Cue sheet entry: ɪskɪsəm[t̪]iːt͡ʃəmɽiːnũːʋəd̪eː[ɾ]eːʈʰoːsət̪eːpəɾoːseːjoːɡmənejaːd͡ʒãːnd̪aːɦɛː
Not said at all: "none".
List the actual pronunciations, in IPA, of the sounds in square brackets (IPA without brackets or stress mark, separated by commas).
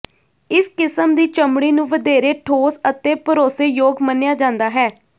d̪, ɾ